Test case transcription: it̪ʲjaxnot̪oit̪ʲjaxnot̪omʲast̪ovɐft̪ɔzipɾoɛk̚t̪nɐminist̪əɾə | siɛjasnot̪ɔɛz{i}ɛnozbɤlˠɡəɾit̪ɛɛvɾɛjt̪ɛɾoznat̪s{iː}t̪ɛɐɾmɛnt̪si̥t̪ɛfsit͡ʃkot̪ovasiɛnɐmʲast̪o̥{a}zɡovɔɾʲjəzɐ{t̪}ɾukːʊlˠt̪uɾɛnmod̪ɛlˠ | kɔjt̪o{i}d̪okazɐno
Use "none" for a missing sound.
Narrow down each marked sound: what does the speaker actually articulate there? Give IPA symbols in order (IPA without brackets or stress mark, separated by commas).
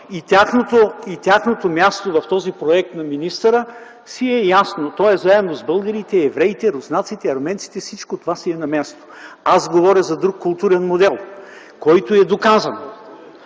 a, i, a, d̪, ɛ